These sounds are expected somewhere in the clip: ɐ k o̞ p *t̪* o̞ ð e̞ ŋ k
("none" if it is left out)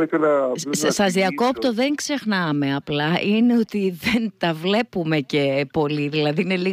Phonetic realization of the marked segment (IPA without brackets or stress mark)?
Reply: t̪